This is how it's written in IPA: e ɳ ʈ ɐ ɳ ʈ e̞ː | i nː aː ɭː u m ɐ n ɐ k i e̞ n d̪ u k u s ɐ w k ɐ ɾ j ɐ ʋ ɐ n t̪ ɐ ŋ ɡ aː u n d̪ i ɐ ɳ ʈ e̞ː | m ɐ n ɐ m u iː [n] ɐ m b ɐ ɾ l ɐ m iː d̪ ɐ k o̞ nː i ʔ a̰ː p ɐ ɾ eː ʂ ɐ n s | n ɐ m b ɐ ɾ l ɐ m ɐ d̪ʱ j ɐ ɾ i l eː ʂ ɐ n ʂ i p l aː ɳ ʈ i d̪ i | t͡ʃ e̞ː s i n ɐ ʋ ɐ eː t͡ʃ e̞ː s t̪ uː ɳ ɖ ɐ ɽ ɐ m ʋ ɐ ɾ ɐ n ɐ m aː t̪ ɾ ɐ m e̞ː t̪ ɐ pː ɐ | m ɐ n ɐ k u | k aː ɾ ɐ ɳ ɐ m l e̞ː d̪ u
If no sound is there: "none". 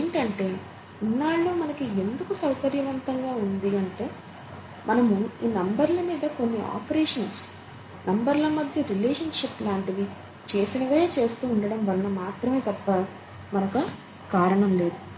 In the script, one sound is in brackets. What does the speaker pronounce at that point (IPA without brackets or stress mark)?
n